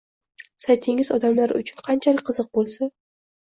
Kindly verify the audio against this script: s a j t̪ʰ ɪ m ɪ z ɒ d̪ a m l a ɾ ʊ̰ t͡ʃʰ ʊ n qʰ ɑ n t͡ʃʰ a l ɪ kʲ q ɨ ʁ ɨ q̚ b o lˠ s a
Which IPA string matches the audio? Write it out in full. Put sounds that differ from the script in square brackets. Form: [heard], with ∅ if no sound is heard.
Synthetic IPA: s a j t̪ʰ ɪ [ŋ] ɪ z ɒ d̪ a m l a ɾ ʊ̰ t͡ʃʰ ʊ n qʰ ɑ n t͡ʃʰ a l ɪ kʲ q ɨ [z] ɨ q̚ b o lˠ s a